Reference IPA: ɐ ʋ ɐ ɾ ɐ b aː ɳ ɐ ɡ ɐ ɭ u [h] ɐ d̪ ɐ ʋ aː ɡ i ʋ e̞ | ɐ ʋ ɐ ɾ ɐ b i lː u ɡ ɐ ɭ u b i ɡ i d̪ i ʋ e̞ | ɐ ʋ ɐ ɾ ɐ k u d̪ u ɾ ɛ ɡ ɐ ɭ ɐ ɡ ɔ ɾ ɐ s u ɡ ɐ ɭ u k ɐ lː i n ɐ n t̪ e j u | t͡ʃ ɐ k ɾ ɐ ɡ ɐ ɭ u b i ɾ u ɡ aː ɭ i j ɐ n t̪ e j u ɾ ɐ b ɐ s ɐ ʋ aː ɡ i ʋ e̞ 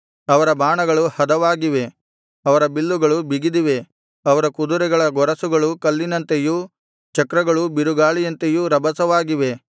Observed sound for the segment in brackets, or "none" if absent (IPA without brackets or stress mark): h